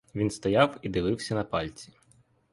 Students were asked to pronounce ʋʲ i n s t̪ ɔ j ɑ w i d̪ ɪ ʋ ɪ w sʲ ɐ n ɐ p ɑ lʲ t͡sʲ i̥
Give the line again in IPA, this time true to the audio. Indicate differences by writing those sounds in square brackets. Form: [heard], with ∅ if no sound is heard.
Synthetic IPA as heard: ʋʲ i n s t̪ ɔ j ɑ w i d̪ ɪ ʋ ɪ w sʲ ɐ n ɐ p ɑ lʲ t͡sʲ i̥

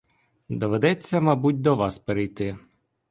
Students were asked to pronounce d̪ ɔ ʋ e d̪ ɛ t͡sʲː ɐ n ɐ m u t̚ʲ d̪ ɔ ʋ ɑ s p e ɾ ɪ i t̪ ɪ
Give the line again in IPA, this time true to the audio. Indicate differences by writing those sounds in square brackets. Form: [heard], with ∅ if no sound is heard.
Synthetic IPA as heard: d̪ ɔ ʋ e d̪ ɛ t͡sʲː ɐ [m] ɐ [b] u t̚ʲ d̪ ɔ ʋ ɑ s p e ɾ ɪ [j] t̪ ɪ

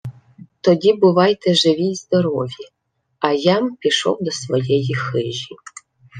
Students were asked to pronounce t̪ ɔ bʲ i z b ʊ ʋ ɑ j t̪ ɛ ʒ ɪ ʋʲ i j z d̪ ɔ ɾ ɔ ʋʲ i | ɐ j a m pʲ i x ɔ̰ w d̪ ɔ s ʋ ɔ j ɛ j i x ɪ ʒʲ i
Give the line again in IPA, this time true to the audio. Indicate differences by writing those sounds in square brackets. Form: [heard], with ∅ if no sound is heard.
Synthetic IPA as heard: t̪ ɔ [dʲ] i [∅] b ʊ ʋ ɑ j t̪ ɛ ʒ ɪ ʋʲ i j z d̪ ɔ ɾ ɔ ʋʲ i | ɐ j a m pʲ i [ʃ] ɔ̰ w d̪ ɔ s ʋ ɔ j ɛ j i x ɪ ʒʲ i

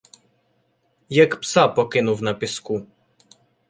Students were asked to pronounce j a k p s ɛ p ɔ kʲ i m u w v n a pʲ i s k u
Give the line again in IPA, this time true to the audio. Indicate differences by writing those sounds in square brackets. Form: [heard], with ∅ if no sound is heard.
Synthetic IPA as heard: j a k p s [a] p ɔ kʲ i [n] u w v n a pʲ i s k u

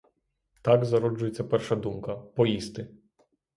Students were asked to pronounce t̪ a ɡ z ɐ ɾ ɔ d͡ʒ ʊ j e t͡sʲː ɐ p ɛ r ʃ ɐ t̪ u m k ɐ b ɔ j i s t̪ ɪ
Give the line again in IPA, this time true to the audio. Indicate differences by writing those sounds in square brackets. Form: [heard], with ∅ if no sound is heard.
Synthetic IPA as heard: t̪ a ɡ z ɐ ɾ ɔ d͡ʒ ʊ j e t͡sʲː ɐ p ɛ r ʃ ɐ [d̪] u m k ɐ [p] ɔ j i s t̪ ɪ

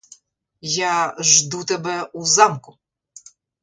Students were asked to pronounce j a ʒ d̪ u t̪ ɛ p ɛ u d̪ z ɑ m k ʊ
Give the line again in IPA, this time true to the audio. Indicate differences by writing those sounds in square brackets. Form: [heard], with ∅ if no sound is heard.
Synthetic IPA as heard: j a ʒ d̪ u t̪ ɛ [b] ɛ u [∅] z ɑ m k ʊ

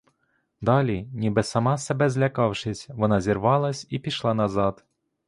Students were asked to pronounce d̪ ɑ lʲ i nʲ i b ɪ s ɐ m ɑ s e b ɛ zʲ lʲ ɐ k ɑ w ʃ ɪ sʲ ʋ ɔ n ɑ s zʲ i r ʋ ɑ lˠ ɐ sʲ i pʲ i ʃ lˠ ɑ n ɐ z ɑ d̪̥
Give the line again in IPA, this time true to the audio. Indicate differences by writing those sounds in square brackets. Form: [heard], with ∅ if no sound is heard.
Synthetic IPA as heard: d̪ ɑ lʲ i nʲ i b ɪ s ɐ m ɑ s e b ɛ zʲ lʲ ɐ k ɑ w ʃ ɪ sʲ ʋ ɔ n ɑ [∅] zʲ i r ʋ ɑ lˠ ɐ sʲ i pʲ i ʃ lˠ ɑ n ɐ z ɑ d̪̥

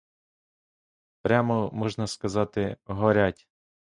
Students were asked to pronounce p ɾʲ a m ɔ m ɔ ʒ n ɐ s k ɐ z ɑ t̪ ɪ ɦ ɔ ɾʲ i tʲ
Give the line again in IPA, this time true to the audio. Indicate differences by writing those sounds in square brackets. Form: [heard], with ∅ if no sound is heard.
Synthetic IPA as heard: p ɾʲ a m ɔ m ɔ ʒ n ɐ s k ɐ z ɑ t̪ ɪ ɦ ɔ ɾʲ [a] tʲ

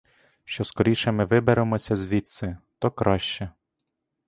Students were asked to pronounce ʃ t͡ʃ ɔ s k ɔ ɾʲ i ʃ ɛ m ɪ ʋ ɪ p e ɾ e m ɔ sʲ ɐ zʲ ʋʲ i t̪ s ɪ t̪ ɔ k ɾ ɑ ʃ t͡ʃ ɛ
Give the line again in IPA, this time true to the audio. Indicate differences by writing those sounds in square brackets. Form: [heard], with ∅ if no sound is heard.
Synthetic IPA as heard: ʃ t͡ʃ ɔ s k ɔ ɾʲ i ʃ ɛ m ɪ ʋ ɪ [b] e ɾ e m ɔ sʲ ɐ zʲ ʋʲ i t̪ s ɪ t̪ ɔ k ɾ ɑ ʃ t͡ʃ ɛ

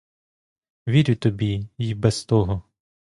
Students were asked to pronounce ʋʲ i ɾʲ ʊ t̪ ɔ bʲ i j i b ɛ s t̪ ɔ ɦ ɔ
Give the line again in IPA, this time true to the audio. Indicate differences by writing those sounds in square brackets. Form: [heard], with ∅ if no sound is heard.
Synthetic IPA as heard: ʋʲ i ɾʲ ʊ t̪ ɔ bʲ i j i b ɛ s t̪ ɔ ɦ ɔ

